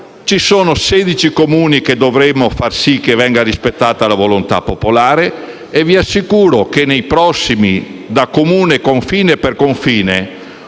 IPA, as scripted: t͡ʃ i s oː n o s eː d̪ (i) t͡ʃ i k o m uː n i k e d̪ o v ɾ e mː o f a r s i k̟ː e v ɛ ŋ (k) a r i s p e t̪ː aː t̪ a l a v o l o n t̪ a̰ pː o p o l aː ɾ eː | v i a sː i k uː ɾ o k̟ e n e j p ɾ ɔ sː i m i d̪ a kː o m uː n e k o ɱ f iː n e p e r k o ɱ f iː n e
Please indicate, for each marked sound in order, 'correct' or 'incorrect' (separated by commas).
correct, incorrect